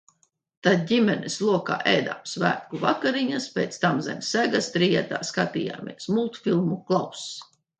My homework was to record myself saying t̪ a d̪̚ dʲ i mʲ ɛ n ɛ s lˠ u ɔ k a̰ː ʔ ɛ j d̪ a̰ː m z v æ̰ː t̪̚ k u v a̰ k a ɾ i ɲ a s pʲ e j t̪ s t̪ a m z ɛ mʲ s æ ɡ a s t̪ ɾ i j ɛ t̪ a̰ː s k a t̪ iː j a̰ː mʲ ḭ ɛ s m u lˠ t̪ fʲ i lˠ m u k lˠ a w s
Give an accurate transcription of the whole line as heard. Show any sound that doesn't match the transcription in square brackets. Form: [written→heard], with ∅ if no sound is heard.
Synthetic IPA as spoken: t̪ a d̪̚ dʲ i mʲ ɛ n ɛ s lˠ u ɔ k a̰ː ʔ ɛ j d̪ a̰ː m [z→s] v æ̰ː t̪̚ k u v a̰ k a ɾ i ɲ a s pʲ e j t̪ s t̪ a m z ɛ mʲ s æ ɡ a s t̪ ɾ i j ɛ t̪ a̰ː s k a t̪ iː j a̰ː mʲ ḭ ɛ s m u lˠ t̪ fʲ i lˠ m u k lˠ a w s